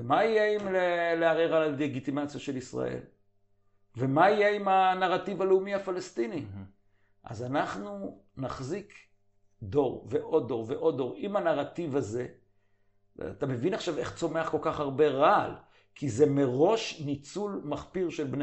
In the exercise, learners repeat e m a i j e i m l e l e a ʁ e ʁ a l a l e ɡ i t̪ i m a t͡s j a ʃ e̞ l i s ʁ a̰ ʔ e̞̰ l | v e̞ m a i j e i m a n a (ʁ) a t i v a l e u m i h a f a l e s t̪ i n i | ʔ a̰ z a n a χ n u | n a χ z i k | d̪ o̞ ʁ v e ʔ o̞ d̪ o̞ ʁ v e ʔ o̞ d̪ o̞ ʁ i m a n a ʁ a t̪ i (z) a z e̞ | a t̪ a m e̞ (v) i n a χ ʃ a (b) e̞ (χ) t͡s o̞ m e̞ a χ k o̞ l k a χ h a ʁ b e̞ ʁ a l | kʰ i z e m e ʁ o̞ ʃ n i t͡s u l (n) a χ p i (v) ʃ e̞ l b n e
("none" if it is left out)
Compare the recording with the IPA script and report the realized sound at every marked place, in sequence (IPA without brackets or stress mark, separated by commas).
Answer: ʁ, v, v, v, χ, m, ʁ